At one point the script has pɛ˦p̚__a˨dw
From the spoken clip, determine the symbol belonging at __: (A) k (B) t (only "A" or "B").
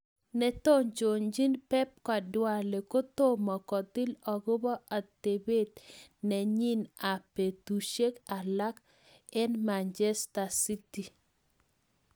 A